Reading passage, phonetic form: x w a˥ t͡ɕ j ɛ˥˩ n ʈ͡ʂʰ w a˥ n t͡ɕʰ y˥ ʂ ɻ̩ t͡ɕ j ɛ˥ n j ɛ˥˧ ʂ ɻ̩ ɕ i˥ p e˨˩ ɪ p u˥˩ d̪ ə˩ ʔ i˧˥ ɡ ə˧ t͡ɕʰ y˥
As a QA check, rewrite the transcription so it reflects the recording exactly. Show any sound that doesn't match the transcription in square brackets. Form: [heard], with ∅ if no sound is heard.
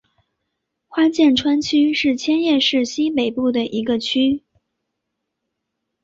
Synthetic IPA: x w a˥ t͡ɕ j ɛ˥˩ n ʈ͡ʂʰ w a˥ n t͡ɕʰ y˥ ʂ ɻ̩ [t͡ɕʰ] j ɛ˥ n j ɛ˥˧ ʂ ɻ̩ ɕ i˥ p e˨˩ ɪ p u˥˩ d̪ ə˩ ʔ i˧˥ ɡ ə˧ t͡ɕʰ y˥